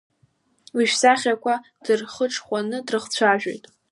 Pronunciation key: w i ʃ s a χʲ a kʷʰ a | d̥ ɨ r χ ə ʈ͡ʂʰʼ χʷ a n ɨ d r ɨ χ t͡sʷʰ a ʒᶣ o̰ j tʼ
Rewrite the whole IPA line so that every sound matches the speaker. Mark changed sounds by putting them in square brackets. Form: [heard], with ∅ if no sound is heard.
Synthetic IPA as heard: w i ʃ s a χʲ a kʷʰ a | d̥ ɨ r χ ə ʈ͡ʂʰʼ χʷ a n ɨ d r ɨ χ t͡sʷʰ a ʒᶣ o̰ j tʼ